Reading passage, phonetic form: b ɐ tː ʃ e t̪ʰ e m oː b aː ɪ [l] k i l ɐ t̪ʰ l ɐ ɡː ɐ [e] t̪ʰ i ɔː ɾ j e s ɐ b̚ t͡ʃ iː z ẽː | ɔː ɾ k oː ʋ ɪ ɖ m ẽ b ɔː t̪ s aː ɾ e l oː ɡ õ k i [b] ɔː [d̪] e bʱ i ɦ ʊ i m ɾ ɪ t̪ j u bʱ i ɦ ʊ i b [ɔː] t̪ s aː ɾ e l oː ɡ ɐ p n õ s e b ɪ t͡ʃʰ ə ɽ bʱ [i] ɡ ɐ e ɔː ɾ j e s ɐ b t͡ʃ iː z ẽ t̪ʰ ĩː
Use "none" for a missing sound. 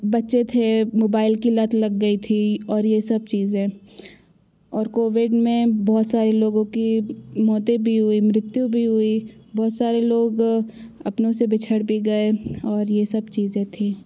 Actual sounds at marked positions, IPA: l, i, m, t̪, ɔː, i

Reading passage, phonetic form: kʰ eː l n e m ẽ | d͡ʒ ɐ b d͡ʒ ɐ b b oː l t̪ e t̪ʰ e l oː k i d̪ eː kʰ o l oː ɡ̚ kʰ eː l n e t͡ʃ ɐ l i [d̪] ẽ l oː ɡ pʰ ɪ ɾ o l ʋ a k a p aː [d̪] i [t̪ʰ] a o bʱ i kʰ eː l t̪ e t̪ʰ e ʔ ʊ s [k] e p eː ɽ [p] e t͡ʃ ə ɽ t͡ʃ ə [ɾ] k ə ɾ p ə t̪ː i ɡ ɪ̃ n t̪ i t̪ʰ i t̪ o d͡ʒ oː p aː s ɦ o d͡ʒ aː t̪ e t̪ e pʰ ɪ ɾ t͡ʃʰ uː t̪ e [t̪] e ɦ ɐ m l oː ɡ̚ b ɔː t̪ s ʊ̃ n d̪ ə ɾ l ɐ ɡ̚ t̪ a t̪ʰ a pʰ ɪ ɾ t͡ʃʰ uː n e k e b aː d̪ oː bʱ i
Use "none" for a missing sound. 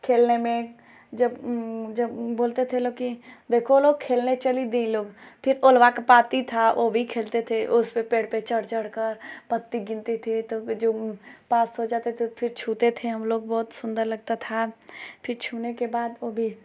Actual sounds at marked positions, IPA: d̪, t̪, t̪ʰ, p, p, ɽ, t̪ʰ

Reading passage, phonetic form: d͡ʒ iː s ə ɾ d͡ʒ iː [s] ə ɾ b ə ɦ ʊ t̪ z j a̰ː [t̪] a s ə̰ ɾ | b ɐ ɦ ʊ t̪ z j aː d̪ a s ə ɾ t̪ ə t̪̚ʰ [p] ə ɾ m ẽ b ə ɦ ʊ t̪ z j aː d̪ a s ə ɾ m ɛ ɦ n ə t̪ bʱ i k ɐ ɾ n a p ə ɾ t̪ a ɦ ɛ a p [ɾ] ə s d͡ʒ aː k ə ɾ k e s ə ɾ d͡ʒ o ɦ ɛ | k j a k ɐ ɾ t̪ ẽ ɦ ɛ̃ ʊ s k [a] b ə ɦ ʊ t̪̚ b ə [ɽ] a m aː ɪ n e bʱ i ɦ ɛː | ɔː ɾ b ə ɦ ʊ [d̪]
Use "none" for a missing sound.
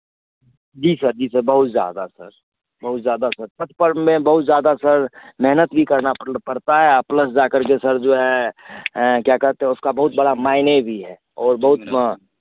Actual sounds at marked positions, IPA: s, d̪, p, l, a, ɽ, t̪

